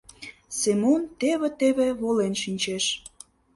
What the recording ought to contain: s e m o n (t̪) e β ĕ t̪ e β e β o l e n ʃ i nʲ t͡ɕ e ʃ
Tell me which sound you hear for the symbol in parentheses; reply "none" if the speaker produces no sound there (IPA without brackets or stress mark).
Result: t̪